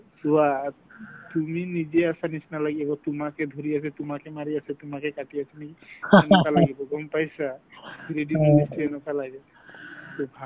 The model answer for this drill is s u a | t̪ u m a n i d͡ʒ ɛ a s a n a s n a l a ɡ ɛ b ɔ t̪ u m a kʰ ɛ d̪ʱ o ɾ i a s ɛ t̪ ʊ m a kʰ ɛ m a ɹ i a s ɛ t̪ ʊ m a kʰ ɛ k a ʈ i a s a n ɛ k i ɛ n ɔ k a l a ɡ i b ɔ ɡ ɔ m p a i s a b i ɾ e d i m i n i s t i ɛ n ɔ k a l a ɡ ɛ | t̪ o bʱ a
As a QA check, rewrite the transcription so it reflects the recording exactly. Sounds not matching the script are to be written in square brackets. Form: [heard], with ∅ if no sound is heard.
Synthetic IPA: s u a | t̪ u m [i] n i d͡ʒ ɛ a s a n [i] s n a l a ɡ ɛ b ɔ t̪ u m a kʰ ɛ d̪ʱ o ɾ i a s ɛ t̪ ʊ m a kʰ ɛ m a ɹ i a s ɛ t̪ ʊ m a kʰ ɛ k a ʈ i a s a n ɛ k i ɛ n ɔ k a l a ɡ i b ɔ ɡ ɔ m p a [j] s a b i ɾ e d i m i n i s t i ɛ n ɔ k a l a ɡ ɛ | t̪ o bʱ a